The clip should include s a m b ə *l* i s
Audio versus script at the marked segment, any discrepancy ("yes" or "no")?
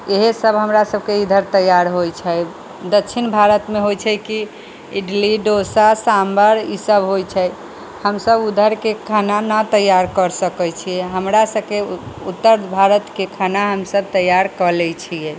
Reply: yes